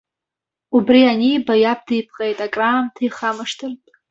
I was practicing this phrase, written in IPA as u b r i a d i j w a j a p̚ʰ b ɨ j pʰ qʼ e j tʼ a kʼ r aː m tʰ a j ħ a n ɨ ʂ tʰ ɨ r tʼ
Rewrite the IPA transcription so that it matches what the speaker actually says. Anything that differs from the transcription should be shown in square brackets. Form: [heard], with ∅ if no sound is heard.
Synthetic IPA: u b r i a [n] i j [b] a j a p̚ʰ [d] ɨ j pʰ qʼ e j tʼ a kʼ r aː m tʰ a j [χ] a [m] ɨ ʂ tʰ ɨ r tʼ

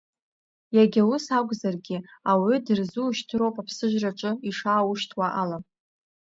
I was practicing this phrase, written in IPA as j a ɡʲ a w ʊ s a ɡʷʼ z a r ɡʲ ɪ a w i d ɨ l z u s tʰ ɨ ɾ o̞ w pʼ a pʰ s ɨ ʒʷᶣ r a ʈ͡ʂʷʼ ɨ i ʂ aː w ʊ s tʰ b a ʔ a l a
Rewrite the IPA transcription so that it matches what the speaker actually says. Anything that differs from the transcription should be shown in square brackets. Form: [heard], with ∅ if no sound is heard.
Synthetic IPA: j a ɡʲ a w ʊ s a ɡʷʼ z a r ɡʲ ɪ a w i d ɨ [r] z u [ʃ] tʰ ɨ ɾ o̞ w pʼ a pʰ s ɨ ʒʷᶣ r a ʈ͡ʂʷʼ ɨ i ʂ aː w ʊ [ʃ] tʰ [w] a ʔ a l a

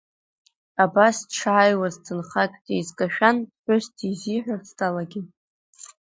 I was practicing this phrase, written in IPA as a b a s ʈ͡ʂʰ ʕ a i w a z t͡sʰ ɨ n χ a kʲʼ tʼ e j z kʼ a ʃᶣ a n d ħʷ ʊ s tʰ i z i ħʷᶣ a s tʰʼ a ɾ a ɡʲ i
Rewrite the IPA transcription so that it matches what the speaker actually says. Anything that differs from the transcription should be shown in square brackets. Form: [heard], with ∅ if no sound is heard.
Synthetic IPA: a b a s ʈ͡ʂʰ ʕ a [j] w a z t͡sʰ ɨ n χ a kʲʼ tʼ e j z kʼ a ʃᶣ a n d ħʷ ʊ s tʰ i z i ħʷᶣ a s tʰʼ a [l] a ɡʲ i

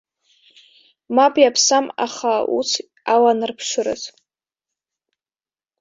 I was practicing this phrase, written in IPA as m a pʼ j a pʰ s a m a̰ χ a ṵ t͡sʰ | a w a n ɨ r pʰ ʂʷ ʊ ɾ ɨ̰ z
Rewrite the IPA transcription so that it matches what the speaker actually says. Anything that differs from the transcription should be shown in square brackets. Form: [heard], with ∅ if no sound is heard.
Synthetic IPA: m a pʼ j a pʰ s a m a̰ χ a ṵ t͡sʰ | a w a n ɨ r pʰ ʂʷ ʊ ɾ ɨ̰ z

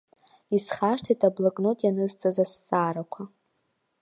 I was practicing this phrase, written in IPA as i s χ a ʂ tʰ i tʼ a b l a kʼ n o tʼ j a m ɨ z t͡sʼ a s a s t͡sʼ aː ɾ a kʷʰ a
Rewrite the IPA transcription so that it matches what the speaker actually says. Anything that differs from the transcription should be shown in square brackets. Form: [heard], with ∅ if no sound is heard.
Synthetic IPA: i s χ a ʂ tʰ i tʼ a b l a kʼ n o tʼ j a [n] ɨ z t͡sʼ a [z] a s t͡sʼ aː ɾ a kʷʰ a

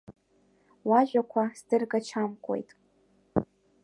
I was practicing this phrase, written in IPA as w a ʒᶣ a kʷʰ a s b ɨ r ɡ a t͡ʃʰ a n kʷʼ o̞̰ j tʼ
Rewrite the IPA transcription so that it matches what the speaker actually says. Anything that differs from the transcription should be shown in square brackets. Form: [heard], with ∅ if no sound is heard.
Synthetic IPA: w a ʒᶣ a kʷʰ a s [d] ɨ r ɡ a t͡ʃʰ a [m] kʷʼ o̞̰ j tʼ

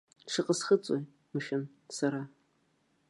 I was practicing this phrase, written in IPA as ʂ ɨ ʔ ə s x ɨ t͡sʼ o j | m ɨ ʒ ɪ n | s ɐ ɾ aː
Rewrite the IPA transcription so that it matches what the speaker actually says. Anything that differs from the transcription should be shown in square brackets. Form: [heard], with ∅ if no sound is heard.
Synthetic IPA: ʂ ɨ [q] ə s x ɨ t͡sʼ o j | m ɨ [ʃ] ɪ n | s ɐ ɾ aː

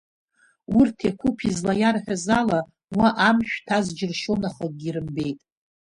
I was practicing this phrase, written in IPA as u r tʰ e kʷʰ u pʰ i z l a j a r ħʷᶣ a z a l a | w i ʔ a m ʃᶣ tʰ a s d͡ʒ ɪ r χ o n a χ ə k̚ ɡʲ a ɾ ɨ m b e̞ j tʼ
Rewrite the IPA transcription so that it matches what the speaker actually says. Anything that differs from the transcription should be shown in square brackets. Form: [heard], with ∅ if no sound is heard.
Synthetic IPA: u r tʰ e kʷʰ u pʰ i z l a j a r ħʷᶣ a z a l a | w [a] ʔ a m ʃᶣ tʰ a [z] d͡ʒ ɪ r [ʃ] o n a χ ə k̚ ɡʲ [i] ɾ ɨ m b e̞ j tʼ

